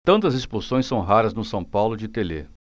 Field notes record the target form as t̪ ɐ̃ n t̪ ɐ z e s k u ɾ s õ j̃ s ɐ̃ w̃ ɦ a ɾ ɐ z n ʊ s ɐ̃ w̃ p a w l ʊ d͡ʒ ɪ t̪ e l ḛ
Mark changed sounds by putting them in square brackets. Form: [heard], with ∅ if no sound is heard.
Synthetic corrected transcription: t̪ ɐ̃ n t̪ ɐ z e s [p] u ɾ s õ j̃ s ɐ̃ w̃ ɦ a ɾ ɐ z n ʊ s ɐ̃ w̃ p a w l ʊ d͡ʒ ɪ t̪ e l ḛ